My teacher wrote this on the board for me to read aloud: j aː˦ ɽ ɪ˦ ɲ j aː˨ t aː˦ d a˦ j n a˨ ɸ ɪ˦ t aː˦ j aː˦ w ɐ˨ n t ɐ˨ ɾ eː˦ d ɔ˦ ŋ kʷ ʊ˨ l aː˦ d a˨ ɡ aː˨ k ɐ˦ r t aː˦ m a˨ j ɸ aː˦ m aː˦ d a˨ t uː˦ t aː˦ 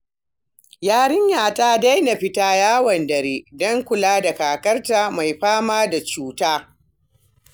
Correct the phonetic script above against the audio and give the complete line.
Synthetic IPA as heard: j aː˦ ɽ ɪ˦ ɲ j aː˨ t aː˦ d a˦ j n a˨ ɸ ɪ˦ t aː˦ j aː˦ w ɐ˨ n d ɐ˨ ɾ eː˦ d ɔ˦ ŋ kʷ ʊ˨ l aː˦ d a˨ k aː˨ k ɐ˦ r t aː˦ m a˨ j ɸ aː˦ m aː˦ d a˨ t͡ʃ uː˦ t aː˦